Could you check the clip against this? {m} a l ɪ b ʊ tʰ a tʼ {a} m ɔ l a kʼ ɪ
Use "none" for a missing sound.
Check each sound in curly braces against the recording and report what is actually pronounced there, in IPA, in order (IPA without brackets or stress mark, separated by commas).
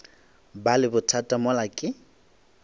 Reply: b, a